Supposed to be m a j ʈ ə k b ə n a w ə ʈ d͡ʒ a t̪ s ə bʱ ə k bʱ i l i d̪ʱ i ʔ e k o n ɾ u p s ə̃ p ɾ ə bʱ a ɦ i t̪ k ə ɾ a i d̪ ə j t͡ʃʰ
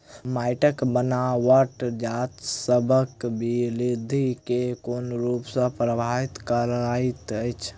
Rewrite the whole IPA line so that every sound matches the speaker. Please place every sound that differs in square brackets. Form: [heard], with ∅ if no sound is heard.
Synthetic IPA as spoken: m a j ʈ ə k b ə n a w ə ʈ d͡ʒ a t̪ s ə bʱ ə k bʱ i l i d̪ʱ i [k] e k o n ɾ u p s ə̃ p ɾ ə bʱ a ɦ i t̪ k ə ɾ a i [t̪] ə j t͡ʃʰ